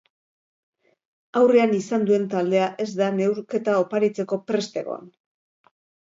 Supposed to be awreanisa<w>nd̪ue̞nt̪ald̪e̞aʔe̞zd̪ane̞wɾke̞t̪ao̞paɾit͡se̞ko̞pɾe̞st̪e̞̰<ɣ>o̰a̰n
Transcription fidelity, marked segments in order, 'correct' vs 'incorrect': incorrect: none, correct

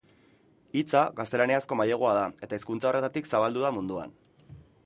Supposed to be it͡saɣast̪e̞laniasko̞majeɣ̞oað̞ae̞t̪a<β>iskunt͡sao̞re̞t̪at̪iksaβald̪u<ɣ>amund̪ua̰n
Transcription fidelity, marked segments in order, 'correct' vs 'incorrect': incorrect: none, incorrect: ð

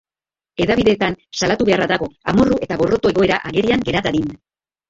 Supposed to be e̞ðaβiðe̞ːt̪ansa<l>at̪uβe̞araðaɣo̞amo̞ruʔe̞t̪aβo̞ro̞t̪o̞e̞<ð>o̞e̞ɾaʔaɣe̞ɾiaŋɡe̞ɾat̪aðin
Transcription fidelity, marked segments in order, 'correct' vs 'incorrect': correct, incorrect: ɣ

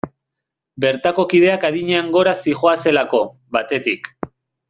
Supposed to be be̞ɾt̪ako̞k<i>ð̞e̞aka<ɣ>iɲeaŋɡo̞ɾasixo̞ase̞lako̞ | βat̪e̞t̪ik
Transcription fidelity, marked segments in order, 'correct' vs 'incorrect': correct, incorrect: ð

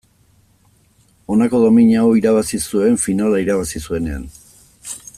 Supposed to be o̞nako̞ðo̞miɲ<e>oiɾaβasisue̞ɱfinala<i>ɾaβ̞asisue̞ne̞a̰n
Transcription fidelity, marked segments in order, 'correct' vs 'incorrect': incorrect: a, correct

